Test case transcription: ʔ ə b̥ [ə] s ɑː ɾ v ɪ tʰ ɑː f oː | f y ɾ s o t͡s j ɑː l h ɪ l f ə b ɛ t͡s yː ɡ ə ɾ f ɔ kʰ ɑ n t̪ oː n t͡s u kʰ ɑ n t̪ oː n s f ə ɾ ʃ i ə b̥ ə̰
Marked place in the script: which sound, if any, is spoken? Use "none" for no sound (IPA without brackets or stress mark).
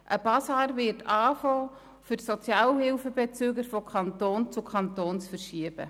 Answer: ɑ